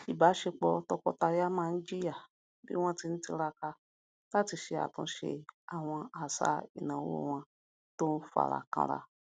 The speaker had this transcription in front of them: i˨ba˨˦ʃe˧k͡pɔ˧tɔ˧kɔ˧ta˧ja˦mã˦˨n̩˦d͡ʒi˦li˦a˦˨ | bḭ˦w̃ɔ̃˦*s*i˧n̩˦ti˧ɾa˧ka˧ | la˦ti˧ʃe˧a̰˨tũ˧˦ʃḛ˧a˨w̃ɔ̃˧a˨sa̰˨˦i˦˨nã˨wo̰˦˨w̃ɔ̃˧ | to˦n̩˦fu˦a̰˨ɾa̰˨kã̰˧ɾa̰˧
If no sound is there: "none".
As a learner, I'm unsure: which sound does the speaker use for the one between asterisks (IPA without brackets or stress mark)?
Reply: t